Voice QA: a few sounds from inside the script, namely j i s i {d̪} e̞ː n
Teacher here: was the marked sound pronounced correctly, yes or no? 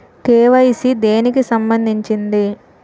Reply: yes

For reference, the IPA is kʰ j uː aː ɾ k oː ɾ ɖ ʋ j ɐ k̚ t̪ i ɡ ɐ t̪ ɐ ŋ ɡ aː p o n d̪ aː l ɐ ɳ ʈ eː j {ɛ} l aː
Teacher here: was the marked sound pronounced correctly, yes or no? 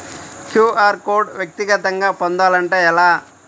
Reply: yes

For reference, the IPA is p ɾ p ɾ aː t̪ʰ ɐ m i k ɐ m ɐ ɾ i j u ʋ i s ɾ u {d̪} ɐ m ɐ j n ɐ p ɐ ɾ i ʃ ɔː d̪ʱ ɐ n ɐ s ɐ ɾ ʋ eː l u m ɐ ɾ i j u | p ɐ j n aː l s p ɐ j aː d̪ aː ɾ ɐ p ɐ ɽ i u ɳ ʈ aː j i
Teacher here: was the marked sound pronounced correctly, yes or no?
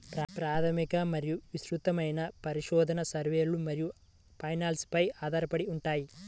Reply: no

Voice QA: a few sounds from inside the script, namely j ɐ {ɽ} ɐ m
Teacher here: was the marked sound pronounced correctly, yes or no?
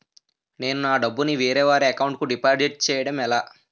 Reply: yes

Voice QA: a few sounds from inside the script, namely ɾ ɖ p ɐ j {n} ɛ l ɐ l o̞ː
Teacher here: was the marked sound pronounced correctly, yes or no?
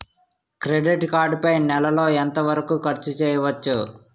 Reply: yes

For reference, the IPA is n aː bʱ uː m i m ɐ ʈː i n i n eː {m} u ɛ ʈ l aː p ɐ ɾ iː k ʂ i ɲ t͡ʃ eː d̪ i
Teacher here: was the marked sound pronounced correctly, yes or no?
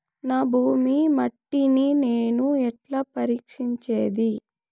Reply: no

